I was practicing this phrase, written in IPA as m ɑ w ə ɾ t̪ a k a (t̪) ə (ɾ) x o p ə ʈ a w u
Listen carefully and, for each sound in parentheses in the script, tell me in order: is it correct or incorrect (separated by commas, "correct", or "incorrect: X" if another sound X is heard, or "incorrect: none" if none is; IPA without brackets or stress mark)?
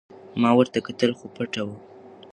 correct, incorrect: l